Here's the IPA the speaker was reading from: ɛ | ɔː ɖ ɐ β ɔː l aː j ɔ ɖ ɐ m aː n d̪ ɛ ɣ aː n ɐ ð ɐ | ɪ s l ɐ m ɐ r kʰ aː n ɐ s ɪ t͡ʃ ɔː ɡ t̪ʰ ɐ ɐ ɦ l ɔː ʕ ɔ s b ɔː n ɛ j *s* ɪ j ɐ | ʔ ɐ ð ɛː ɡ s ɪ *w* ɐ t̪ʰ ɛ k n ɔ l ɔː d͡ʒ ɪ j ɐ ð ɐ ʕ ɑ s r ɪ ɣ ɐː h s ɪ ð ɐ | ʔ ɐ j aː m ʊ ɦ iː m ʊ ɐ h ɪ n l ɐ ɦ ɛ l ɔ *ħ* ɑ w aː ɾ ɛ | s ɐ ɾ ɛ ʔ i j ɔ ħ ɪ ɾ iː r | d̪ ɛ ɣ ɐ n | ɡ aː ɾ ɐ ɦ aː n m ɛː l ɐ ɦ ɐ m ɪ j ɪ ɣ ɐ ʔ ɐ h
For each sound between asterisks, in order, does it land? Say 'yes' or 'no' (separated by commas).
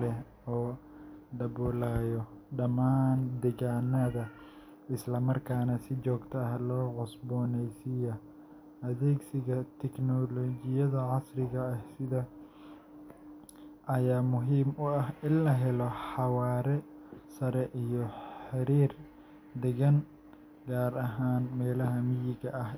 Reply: yes, no, yes